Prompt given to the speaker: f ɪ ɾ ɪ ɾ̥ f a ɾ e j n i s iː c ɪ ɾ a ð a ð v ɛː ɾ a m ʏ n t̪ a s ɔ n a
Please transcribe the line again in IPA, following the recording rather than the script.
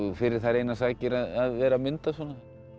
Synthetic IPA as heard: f ɪ ɾ ɪ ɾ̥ θ a ɾ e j n a s aː c ɪ ɾ a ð a ð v ɛː ɾ a m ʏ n t̪ a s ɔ n a